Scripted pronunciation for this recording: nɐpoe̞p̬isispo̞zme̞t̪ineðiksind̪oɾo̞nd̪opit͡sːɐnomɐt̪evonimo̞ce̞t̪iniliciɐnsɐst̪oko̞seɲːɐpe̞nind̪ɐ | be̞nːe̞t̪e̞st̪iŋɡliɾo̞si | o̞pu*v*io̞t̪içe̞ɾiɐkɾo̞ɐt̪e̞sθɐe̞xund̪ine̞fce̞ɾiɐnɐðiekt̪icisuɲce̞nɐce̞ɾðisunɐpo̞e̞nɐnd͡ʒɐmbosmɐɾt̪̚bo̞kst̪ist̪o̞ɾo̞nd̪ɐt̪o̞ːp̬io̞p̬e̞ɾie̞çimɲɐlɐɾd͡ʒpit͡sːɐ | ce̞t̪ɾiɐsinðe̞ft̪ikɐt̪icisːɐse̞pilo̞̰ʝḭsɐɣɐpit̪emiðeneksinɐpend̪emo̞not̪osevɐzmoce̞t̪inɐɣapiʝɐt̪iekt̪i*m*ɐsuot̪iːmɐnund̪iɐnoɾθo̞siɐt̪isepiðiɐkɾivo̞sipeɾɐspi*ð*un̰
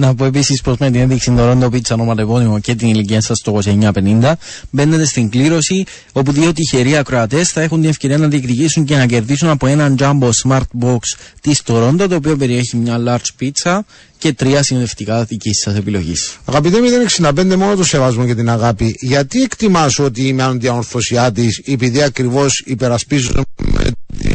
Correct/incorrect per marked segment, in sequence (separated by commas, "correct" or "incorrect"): incorrect, correct, incorrect